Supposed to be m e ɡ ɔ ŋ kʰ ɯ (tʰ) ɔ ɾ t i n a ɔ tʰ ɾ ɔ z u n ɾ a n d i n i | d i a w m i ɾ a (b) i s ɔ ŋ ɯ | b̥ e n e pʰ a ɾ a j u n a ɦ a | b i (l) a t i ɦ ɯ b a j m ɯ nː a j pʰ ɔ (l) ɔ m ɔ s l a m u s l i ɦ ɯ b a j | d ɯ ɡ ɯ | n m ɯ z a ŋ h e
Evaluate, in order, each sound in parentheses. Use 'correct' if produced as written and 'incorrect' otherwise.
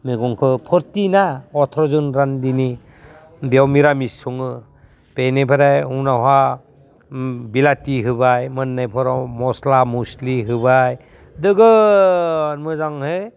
incorrect: pʰ, incorrect: m, correct, incorrect: ɾ

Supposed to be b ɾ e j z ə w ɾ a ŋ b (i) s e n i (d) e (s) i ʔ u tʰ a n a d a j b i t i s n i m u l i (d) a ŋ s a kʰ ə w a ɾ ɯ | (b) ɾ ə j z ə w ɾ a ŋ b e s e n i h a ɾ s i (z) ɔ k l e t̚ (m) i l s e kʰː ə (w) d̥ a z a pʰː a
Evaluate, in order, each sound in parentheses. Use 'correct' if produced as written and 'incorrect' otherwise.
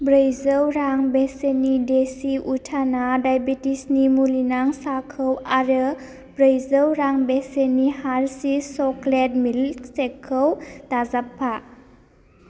incorrect: e, correct, correct, incorrect: n, correct, incorrect: s, correct, correct

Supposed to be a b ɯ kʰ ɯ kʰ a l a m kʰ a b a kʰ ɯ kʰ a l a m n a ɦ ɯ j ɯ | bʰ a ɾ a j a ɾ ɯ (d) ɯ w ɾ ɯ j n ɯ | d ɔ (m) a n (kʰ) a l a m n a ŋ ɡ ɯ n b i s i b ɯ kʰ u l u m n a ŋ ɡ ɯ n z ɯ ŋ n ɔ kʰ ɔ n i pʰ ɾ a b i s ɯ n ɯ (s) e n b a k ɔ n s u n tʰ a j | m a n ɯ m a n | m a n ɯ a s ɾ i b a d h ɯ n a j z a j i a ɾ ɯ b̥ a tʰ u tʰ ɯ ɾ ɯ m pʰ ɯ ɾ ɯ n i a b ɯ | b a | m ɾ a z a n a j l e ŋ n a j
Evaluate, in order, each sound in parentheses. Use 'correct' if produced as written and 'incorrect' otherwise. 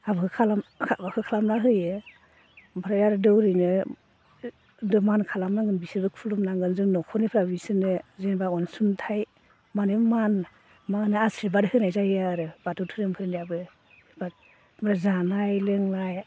correct, correct, correct, incorrect: z

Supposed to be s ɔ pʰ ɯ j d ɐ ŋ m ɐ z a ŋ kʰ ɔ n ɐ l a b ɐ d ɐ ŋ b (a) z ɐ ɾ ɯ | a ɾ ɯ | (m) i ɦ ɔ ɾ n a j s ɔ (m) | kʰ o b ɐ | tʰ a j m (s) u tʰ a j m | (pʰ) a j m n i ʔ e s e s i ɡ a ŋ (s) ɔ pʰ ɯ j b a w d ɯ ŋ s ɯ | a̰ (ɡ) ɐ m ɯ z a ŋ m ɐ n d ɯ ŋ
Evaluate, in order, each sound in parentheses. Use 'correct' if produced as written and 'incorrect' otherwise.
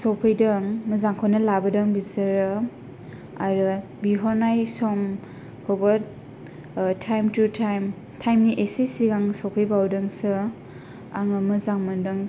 incorrect: i, incorrect: b, correct, incorrect: t, incorrect: tʰ, correct, incorrect: ŋ

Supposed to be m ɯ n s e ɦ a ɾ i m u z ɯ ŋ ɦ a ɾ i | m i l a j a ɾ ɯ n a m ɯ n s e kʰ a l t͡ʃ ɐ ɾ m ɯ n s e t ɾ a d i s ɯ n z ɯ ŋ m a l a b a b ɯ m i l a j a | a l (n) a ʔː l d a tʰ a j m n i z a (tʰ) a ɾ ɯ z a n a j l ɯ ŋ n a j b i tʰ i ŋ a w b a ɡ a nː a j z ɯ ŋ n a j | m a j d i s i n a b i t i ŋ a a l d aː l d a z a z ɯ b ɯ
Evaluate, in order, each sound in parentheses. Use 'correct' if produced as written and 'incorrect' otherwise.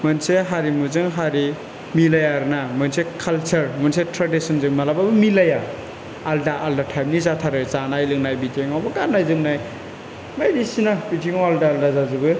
incorrect: d, correct

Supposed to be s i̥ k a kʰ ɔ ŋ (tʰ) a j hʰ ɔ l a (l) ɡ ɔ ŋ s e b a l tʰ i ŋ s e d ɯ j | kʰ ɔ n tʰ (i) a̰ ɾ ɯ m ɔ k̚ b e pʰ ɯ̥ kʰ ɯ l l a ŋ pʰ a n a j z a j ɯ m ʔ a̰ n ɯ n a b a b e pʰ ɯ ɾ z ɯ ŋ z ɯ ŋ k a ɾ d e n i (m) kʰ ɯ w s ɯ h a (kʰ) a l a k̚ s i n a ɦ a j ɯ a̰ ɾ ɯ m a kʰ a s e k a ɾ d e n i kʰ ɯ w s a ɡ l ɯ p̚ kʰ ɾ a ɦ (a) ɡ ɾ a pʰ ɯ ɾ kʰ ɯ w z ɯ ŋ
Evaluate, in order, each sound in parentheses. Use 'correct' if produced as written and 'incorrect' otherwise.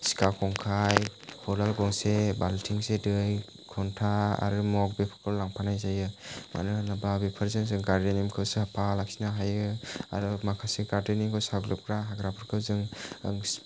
incorrect: kʰ, correct, incorrect: a, correct, incorrect: pʰ, correct

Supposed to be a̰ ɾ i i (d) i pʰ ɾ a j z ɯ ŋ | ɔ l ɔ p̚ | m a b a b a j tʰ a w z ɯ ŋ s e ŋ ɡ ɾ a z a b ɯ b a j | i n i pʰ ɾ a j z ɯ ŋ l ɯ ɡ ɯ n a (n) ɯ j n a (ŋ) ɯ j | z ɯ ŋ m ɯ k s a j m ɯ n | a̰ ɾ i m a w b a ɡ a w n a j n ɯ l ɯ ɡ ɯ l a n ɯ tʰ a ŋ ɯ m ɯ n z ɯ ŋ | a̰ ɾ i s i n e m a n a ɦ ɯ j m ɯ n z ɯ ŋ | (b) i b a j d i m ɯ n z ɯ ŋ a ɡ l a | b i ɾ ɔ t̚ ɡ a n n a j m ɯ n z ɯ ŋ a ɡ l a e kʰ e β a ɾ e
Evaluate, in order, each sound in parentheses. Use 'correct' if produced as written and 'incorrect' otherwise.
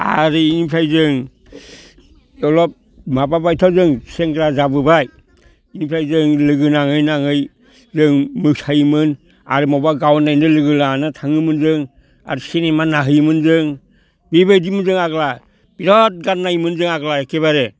incorrect: n, incorrect: ŋ, correct, correct

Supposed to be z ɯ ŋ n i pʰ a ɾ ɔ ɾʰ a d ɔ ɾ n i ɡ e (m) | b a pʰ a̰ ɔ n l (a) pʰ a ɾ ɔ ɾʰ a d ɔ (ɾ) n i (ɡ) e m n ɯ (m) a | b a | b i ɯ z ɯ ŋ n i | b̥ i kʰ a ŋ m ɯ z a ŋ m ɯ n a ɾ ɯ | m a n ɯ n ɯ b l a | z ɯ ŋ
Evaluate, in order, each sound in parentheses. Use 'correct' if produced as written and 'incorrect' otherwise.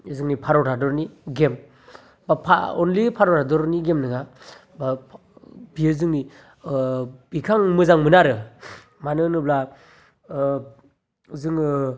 correct, incorrect: i, correct, correct, incorrect: ŋ

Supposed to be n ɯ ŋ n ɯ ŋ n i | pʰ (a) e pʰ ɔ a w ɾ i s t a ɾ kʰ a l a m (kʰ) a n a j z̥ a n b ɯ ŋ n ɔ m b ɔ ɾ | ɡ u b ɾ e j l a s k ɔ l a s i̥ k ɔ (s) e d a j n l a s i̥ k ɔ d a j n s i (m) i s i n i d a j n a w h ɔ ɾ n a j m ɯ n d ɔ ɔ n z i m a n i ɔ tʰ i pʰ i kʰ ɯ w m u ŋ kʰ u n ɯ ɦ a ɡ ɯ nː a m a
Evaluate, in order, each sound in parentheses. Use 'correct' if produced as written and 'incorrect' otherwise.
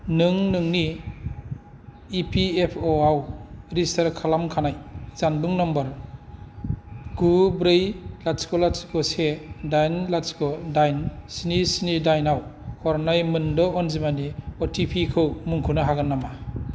incorrect: i, correct, correct, incorrect: n

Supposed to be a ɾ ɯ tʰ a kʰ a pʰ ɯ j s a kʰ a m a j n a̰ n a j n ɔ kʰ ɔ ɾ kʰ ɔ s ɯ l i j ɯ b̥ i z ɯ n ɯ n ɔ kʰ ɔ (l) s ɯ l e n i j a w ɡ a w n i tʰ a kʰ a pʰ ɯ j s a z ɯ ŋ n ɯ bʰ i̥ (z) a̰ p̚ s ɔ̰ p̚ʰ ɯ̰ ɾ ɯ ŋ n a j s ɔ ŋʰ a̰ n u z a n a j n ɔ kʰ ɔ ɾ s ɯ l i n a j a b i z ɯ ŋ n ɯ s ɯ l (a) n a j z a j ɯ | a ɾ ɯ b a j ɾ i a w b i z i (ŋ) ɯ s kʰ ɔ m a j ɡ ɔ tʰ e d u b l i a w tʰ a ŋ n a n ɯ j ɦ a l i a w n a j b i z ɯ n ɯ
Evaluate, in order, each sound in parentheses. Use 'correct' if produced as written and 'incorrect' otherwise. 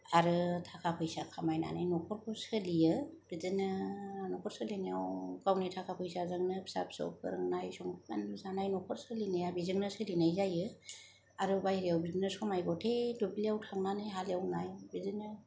incorrect: ɾ, incorrect: s, incorrect: i, incorrect: n

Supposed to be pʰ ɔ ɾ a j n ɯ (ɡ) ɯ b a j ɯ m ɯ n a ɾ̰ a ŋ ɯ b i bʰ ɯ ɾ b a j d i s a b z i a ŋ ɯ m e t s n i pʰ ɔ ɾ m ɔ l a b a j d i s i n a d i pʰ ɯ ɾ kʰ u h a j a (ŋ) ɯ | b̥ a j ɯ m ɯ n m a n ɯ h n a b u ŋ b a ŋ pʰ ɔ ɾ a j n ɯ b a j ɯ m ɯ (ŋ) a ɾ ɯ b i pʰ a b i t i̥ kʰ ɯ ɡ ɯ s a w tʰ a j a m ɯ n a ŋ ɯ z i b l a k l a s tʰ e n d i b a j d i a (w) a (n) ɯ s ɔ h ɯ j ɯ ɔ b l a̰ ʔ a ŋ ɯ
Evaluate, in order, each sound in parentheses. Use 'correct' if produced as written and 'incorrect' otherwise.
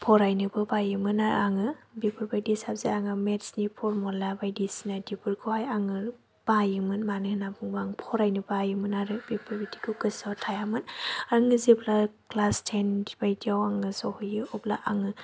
incorrect: b, correct, incorrect: n, correct, incorrect: ŋ

